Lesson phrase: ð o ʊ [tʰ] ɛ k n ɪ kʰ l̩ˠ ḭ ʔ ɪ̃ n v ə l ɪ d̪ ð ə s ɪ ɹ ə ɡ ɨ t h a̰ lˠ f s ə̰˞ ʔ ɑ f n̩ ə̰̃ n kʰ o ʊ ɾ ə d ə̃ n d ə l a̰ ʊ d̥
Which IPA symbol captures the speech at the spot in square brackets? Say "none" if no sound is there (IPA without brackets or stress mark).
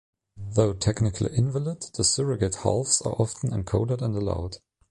tʰ